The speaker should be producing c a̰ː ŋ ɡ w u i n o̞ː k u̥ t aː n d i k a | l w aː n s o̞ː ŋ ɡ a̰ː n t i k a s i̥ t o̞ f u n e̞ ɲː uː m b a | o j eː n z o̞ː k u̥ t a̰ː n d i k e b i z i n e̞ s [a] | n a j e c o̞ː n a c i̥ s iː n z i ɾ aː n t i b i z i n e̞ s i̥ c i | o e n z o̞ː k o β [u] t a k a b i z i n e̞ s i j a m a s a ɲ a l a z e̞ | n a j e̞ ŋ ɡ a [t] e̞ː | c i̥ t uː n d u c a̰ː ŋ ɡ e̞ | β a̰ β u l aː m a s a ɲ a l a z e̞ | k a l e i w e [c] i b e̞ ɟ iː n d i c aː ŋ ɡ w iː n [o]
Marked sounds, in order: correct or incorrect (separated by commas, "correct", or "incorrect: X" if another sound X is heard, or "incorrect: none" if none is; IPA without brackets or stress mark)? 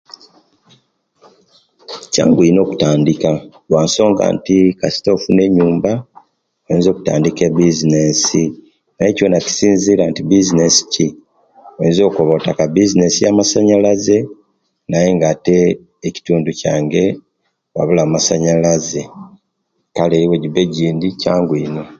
incorrect: i, incorrect: o, correct, incorrect: ɟ, correct